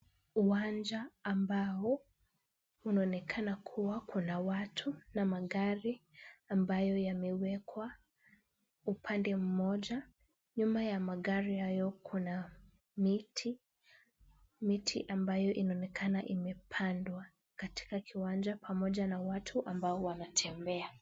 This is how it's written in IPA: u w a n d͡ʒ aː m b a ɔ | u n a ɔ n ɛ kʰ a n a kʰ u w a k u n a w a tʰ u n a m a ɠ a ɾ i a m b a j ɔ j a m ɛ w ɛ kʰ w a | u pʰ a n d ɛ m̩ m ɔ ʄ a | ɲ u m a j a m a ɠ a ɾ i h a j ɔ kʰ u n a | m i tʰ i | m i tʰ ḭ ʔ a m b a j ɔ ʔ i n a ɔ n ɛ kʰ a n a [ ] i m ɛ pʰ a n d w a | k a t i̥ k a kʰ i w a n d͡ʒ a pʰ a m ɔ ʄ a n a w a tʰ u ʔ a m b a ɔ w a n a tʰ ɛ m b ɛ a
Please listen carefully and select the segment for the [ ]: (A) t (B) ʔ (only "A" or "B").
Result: B